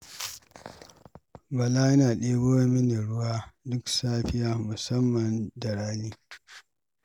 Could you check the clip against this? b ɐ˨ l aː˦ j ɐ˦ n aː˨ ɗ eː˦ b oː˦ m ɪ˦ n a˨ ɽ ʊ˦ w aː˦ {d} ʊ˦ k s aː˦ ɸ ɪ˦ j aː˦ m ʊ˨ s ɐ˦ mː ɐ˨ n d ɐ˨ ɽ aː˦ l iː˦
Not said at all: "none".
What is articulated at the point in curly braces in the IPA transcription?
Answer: d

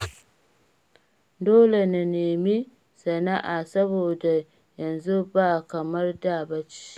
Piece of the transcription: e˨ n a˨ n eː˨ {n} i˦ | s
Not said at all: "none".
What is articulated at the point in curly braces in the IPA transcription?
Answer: m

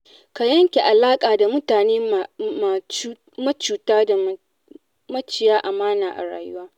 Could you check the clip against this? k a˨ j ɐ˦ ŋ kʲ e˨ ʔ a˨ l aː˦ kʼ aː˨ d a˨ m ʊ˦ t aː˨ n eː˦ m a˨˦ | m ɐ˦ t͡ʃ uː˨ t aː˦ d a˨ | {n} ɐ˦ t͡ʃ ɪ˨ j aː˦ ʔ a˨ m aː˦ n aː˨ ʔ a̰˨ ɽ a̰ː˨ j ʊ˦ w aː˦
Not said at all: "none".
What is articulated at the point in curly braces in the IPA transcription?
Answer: m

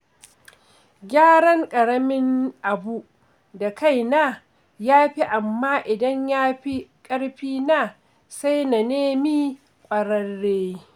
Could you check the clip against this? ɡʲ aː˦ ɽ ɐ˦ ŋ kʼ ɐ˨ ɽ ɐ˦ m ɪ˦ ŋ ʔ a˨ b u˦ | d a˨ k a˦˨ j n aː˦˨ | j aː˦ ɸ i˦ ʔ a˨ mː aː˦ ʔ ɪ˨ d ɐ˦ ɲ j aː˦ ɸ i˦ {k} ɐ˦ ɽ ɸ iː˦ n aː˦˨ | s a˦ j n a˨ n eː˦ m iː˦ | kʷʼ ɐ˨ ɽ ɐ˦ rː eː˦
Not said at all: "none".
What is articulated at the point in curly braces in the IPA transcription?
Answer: kʼ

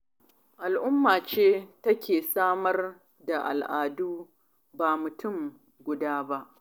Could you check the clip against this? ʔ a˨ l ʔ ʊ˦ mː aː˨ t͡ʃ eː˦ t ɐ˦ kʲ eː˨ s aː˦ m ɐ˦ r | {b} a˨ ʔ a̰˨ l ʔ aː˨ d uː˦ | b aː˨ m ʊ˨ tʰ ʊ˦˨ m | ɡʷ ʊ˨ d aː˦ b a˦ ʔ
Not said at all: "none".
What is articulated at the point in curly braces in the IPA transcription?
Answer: d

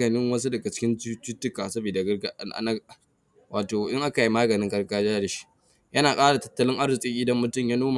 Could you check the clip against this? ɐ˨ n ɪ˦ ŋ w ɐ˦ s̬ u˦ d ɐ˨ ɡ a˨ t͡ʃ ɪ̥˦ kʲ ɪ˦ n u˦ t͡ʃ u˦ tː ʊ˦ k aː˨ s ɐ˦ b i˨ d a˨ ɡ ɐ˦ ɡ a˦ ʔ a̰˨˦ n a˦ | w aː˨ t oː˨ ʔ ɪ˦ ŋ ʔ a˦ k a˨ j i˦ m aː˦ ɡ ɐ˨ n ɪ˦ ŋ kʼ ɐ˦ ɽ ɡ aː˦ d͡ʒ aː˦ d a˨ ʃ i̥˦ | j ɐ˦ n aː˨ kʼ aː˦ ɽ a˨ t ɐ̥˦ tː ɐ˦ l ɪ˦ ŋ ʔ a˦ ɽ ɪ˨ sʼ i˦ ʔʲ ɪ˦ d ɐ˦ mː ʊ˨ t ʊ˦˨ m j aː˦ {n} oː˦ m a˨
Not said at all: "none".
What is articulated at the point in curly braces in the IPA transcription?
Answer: n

